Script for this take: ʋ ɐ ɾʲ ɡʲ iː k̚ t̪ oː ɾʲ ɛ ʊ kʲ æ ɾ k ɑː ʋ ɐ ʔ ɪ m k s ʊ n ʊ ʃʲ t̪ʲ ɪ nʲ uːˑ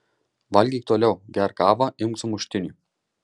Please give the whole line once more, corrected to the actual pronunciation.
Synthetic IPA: ʋ ɐ lʲ ɡʲ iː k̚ t̪ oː lʲ ɛ ʊ ɡʲ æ ɾ k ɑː ʋ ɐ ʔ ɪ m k s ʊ m ʊ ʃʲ t̪ʲ ɪ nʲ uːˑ